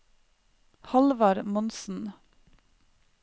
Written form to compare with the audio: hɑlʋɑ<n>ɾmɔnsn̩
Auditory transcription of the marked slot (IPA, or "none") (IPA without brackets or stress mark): none